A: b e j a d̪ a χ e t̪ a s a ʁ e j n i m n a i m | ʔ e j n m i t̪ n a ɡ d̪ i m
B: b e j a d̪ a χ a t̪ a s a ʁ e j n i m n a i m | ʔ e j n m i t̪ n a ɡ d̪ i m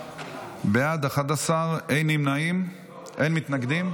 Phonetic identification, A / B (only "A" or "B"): B